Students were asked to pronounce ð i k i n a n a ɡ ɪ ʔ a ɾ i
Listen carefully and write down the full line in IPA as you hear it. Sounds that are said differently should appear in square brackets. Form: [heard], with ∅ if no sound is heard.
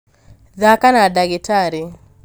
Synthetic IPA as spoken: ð [a] k [a] n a [d] a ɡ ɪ [t] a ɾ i